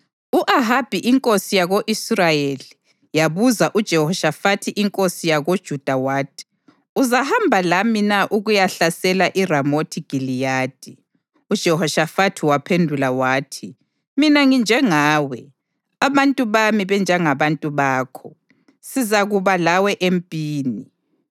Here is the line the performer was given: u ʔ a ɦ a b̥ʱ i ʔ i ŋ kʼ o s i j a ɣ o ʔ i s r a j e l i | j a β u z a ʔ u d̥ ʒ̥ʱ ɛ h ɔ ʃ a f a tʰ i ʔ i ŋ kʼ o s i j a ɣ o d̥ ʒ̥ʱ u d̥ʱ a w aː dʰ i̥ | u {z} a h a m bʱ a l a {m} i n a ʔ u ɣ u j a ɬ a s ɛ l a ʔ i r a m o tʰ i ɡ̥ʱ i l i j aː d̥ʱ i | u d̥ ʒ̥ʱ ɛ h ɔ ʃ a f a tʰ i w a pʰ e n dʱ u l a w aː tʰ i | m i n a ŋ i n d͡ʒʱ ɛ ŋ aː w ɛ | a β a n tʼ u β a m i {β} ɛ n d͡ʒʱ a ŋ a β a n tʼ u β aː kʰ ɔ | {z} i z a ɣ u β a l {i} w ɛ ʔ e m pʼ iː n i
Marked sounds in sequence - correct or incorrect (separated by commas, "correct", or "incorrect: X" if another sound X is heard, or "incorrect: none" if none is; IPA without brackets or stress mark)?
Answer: correct, correct, correct, incorrect: s, incorrect: a